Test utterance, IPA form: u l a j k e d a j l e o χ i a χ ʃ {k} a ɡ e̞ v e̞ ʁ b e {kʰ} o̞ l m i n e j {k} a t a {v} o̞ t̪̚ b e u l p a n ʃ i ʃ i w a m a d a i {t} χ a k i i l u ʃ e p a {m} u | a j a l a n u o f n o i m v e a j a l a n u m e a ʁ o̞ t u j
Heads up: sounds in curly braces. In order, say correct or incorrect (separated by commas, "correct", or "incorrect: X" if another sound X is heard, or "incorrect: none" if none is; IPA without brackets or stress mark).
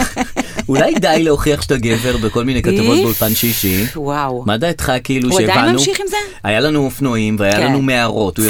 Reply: incorrect: t, incorrect: k, correct, correct, correct, incorrect: n